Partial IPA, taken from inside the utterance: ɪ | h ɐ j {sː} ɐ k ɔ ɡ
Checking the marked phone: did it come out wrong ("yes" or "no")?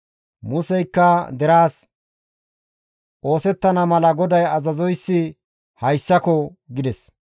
no